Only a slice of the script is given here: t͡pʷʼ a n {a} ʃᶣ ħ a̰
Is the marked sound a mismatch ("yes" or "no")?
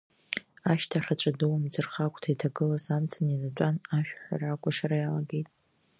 no